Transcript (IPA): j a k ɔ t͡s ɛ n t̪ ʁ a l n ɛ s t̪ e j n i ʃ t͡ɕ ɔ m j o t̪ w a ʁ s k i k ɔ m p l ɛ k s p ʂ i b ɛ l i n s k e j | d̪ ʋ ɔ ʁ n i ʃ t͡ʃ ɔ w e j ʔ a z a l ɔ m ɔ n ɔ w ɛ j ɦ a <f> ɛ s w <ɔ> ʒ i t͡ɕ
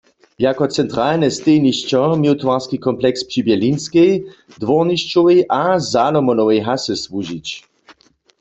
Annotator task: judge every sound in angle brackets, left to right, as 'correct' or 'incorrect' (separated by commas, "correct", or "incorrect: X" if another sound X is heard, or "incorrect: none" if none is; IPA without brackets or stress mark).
incorrect: s, incorrect: u